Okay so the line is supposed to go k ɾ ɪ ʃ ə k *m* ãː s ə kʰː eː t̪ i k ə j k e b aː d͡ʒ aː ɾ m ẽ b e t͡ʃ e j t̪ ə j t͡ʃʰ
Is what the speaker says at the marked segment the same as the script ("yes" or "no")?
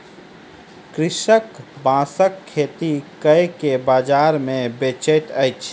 no